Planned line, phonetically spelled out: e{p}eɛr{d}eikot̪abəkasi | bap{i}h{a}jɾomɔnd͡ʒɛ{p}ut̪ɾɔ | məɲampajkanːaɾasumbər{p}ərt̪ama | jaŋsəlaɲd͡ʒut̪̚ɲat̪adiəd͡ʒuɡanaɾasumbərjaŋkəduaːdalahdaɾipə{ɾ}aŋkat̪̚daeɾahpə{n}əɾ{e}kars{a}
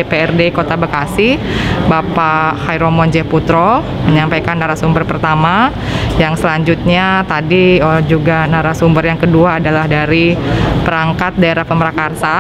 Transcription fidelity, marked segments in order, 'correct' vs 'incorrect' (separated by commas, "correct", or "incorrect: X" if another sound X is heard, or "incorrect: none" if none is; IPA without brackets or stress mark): correct, correct, incorrect: a, correct, correct, correct, correct, incorrect: m, incorrect: a, correct